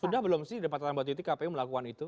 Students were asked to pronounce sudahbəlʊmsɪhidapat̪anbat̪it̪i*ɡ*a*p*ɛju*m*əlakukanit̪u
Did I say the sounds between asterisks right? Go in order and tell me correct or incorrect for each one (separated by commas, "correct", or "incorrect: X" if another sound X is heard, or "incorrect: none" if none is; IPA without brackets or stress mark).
incorrect: k, correct, correct